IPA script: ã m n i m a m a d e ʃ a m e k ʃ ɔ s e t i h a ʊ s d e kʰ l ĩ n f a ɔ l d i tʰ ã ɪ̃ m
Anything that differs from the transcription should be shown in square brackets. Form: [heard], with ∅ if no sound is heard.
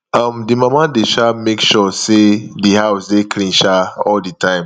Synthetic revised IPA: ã m [d] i m a m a d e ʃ a m e k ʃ ɔ s e [d] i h a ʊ s d e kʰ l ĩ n [ʃ] a ɔ l d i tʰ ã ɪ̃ m